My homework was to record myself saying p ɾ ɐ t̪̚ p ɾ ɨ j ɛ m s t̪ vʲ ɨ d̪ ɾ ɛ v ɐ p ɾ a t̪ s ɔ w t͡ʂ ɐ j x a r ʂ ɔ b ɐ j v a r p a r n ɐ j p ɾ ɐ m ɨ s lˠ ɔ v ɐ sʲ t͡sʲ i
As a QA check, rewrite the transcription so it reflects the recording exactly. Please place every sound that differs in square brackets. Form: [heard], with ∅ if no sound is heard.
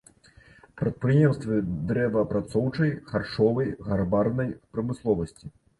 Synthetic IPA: p ɾ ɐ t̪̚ p ɾ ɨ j ɛ m s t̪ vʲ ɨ d̪ ɾ ɛ v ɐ p ɾ a t̪ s ɔ w t͡ʂ ɐ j x a r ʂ ɔ [v] ɐ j [ɣ] a r [b] a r n ɐ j p ɾ ɐ m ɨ s lˠ ɔ v ɐ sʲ t͡sʲ i